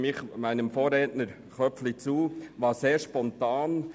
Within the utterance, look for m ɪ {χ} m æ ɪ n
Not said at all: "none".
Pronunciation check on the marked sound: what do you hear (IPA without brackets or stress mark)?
χ